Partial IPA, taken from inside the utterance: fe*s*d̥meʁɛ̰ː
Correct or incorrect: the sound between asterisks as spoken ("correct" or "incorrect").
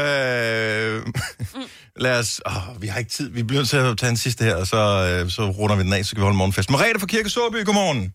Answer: correct